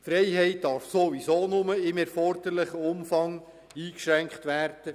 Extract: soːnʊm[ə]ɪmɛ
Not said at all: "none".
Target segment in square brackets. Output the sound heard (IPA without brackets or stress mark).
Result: ə